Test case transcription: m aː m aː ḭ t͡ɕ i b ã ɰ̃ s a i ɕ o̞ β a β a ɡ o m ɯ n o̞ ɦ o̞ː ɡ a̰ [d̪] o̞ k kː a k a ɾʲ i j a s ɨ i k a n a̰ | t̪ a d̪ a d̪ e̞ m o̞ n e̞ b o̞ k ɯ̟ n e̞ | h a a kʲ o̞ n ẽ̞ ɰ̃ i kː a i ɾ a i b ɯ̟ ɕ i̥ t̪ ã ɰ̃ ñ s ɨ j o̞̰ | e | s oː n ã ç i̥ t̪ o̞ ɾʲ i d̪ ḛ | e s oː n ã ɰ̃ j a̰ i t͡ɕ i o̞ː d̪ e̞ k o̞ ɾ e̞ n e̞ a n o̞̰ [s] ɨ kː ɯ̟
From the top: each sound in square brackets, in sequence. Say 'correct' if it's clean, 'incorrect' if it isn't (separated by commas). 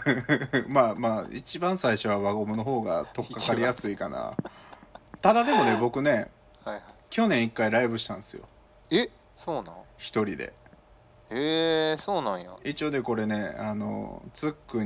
incorrect, incorrect